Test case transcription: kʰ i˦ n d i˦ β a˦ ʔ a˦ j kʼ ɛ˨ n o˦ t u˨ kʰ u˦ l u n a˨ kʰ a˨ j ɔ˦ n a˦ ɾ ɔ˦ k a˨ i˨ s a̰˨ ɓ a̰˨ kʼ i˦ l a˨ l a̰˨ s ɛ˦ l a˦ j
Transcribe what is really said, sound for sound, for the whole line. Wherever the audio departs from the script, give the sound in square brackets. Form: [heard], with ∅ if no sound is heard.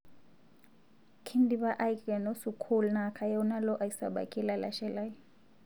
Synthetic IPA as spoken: kʰ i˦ n d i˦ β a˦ ʔ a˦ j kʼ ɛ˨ n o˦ [s] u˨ kʰ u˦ l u n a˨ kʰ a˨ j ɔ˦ n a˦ [l] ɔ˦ [ʔ] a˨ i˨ s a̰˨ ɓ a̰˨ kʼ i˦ l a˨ l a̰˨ [ʃ] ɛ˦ l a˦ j